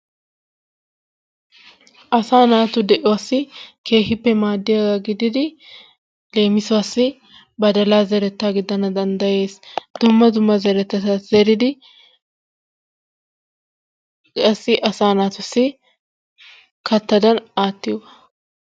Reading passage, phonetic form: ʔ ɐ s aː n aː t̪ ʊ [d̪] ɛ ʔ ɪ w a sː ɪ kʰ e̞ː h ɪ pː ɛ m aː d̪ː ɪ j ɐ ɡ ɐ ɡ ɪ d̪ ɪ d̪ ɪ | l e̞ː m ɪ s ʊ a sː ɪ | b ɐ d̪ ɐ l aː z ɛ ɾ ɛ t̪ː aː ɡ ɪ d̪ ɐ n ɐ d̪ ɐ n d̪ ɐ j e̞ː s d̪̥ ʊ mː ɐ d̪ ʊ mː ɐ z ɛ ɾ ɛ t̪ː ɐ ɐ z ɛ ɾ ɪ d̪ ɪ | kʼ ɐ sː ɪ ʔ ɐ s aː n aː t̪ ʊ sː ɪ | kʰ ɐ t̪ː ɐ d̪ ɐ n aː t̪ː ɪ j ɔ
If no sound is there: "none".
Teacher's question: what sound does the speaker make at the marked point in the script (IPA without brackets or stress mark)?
d̪